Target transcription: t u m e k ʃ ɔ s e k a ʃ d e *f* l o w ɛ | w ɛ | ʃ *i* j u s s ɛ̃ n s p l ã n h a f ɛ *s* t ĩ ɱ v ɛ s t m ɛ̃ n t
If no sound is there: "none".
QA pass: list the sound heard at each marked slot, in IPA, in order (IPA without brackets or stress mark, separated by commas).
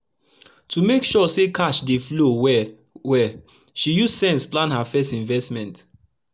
f, i, s